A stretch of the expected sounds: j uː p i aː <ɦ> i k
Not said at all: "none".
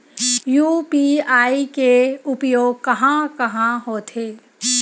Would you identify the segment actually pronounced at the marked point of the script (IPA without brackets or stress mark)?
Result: none